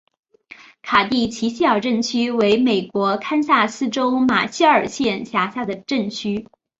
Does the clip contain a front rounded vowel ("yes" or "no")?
yes